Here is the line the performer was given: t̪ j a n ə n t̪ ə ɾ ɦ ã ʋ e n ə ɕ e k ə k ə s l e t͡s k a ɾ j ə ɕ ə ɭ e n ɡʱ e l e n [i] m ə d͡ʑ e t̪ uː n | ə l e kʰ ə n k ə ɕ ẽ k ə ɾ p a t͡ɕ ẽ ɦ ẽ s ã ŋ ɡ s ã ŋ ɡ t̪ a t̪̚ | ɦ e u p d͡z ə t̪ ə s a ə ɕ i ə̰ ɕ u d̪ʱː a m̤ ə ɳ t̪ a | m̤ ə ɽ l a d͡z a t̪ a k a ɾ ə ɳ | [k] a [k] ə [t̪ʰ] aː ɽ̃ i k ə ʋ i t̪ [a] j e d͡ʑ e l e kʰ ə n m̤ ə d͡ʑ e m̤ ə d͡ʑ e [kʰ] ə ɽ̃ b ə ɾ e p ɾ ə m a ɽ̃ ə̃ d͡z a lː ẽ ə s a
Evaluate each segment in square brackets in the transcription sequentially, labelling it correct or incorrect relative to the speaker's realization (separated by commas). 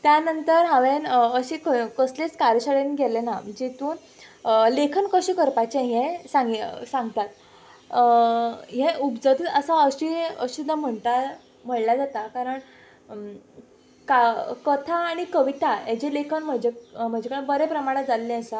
incorrect, correct, correct, correct, correct, incorrect